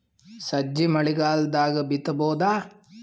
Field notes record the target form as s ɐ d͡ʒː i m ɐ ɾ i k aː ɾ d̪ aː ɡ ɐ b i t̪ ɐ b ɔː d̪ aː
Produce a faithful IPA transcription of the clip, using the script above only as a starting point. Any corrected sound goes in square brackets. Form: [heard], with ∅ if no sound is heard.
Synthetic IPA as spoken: s ɐ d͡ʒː i m ɐ [ɭ] i [ɡ] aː [l] d̪ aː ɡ ɐ b i t̪ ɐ b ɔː d̪ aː

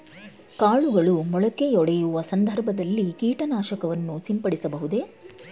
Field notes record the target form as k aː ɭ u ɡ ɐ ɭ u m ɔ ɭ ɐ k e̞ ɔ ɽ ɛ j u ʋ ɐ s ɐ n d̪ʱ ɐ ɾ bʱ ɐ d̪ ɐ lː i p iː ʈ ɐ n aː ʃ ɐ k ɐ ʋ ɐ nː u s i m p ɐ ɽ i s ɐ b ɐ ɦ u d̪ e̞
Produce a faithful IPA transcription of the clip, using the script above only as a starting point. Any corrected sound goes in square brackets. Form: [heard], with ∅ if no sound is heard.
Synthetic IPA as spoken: k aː ɭ u ɡ ɐ ɭ u m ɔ ɭ ɐ k e̞ ɔ ɽ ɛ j u ʋ ɐ s ɐ n d̪ʱ ɐ ɾ bʱ ɐ d̪ ɐ lː i [k] iː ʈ ɐ n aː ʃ ɐ k ɐ ʋ ɐ nː u s i m p ɐ ɽ i s ɐ b ɐ ɦ u d̪ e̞

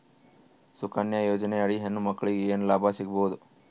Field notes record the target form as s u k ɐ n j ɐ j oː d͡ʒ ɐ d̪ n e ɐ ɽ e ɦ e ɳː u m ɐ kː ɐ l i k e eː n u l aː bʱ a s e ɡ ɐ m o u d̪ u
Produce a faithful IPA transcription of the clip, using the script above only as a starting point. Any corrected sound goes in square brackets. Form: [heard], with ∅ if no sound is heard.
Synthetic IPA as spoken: s u k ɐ n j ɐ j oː d͡ʒ ɐ [∅] n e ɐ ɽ [i] ɦ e [nː] u m ɐ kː ɐ [ɭ] i [ɡ] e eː n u l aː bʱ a s [i] ɡ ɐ [b] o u d̪ u

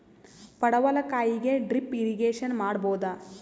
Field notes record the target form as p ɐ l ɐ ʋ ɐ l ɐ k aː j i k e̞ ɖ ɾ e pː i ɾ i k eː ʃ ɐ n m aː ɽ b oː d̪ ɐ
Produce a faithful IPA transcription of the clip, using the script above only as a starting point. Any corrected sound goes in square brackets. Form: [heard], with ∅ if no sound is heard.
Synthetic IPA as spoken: p ɐ [ɽ] ɐ ʋ ɐ l ɐ k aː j i [ɡ] e̞ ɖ ɾ [i] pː i ɾ i [ɡ] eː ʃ ɐ n m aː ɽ b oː d̪ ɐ

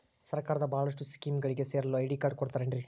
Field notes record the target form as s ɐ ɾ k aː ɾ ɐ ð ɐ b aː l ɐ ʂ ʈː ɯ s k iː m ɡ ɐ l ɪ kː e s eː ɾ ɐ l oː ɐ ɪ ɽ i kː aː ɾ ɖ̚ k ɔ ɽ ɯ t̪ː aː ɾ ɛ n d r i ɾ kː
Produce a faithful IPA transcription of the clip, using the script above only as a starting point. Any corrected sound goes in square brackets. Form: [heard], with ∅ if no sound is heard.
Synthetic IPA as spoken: s ɐ ɾ k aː ɾ ɐ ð ɐ b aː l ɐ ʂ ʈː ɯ s k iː m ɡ ɐ [ɭ] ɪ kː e s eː ɾ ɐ l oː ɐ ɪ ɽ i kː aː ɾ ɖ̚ k ɔ ɽ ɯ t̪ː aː ɾ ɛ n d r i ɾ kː

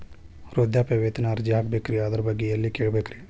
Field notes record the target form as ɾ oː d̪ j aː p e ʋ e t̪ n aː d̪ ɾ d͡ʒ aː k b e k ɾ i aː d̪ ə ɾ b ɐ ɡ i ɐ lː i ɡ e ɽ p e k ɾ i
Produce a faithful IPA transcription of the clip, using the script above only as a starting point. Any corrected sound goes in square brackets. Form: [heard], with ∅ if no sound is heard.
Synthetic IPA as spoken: ɾ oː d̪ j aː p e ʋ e t̪ n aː [∅] ɾ d͡ʒ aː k b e k ɾ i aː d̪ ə ɾ b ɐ ɡ i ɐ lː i [k] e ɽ [b] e k ɾ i

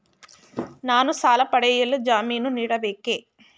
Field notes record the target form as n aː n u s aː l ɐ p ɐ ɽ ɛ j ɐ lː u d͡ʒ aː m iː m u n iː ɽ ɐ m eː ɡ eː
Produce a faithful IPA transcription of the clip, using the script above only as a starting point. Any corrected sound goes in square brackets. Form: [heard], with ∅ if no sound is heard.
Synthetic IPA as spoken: n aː n u s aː l ɐ p ɐ ɽ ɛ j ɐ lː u d͡ʒ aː m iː [n] u n iː ɽ ɐ [b] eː [k] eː

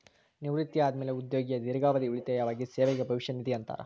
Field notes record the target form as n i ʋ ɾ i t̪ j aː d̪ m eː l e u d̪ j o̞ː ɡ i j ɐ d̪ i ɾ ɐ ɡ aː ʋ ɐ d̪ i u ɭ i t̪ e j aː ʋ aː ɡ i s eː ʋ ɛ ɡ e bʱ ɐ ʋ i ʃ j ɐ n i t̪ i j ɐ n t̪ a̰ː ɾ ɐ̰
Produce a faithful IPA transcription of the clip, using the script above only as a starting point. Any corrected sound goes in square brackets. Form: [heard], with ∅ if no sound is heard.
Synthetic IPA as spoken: n i ʋ ɾ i t̪ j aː d̪ m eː l e u d̪ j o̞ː ɡ i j ɐ d̪ i ɾ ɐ ɡ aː ʋ ɐ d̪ i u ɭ i t̪ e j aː ʋ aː ɡ i s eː ʋ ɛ ɡ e bʱ ɐ ʋ i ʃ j ɐ n i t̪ i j ɐ n t̪ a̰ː ɾ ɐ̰

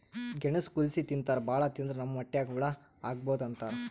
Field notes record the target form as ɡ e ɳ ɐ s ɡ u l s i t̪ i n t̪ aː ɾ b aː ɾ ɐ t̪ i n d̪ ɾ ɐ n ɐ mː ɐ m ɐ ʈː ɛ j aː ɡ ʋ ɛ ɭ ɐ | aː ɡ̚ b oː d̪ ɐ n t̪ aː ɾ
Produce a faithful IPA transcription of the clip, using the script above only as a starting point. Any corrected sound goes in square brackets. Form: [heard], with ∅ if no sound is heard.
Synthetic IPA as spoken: ɡ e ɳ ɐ s [k] u l s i t̪ i n t̪ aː ɾ b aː [ɭ] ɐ t̪ i n d̪ ɾ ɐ n ɐ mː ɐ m ɐ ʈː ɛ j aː ɡ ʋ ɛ ɭ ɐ | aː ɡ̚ b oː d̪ ɐ n t̪ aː ɾ

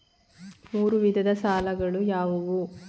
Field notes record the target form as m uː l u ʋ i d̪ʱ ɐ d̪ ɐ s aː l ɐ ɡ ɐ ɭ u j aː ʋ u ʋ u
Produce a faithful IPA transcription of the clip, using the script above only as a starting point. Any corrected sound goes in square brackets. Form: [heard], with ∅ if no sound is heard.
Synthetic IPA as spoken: m uː [ɾ] u ʋ i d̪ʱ ɐ d̪ ɐ s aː l ɐ ɡ ɐ ɭ u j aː ʋ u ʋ u

